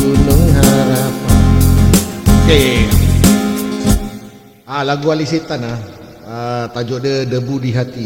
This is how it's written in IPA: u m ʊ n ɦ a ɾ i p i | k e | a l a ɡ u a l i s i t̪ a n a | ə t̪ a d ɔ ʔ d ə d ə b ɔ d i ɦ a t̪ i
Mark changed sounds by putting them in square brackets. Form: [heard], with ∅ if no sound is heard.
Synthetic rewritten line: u [n] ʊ [ŋ] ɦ a ɾ [a] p [a] | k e | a l a ɡ u a l i s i t̪ a n a | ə t̪ a [d͡ʒ] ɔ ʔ d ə d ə b [u] d i ɦ a t̪ i